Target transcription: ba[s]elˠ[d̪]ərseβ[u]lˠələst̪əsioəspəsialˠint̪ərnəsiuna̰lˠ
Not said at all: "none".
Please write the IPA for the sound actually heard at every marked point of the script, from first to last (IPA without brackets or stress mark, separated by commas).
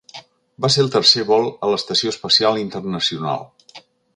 s, t̪, ɔ